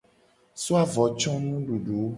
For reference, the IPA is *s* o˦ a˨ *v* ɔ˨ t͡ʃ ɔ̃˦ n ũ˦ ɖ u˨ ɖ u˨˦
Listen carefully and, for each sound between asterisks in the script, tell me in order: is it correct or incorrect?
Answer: correct, correct

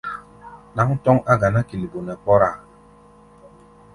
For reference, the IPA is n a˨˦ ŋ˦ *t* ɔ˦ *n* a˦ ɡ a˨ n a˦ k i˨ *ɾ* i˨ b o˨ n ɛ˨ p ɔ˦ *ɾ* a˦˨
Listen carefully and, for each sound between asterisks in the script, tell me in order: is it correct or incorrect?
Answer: correct, incorrect, incorrect, correct

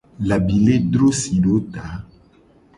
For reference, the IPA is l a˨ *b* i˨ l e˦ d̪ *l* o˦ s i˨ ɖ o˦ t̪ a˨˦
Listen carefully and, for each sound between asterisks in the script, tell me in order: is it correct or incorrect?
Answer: correct, incorrect

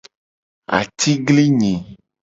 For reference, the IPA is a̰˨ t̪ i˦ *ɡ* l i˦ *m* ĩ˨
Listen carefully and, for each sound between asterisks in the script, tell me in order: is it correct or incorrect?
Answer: correct, incorrect

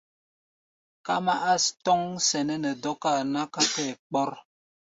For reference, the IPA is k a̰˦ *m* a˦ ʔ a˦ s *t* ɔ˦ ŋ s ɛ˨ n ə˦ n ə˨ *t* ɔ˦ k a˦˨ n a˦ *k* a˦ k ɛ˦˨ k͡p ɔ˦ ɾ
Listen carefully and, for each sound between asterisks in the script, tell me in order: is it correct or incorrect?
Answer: correct, correct, incorrect, correct

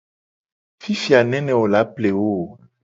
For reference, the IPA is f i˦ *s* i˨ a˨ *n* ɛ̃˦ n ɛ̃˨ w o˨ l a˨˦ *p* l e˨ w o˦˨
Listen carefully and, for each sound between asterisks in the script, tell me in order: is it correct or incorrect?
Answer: incorrect, correct, correct

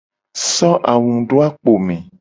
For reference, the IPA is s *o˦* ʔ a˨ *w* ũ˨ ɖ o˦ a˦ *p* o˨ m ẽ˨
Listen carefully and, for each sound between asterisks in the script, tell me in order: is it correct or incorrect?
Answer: incorrect, correct, incorrect

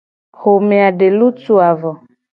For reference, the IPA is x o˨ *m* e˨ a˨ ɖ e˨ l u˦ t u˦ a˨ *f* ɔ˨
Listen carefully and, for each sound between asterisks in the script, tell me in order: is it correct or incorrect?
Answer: correct, incorrect

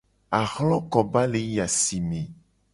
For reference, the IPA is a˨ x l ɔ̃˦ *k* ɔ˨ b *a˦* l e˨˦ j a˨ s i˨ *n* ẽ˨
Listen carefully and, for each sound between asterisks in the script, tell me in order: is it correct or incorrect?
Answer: correct, correct, incorrect

